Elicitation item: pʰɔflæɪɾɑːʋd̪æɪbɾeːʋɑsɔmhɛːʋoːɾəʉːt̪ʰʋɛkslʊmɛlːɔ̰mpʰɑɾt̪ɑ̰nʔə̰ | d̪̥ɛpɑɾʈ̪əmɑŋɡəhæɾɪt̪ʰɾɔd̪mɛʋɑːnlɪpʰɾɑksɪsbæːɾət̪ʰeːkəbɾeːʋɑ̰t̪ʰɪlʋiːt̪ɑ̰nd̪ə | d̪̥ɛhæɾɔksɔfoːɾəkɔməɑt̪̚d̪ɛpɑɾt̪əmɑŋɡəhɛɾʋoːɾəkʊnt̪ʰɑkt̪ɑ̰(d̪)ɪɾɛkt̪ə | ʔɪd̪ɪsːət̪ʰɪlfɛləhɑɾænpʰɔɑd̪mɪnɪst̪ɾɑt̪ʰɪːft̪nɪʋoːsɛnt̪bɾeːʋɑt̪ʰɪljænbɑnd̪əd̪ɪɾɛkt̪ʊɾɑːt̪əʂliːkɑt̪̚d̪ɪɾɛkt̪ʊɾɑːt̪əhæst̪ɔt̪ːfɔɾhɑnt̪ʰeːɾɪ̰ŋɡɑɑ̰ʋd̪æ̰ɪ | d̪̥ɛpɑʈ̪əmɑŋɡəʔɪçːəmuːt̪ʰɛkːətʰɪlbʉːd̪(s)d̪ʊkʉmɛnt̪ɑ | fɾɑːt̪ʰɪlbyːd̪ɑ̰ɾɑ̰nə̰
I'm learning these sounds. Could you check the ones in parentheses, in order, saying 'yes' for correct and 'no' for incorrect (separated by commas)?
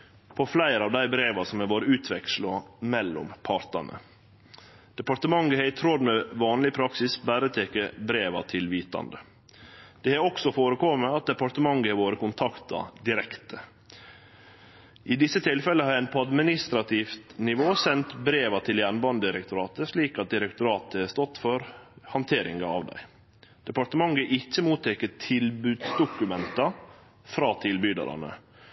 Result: yes, yes